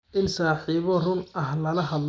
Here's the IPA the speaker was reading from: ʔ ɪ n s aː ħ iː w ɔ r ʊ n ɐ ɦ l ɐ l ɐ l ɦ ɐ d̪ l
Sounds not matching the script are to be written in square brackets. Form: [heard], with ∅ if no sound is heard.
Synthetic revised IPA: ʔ ɪ n s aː ħ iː [β] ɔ r ʊ n ɐ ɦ l ɐ l ɐ [∅] ɦ ɐ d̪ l